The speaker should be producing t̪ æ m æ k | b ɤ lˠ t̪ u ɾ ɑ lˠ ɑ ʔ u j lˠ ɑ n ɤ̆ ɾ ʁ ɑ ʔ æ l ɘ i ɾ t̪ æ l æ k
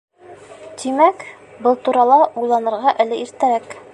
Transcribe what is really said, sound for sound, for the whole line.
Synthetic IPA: t̪ i m æ k | b ɤ lˠ t̪ u ɾ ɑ lˠ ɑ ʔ u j lˠ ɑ n ɤ̆ ɾ ʁ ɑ ʔ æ l ɘ i ɾ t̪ æ ɾ æ k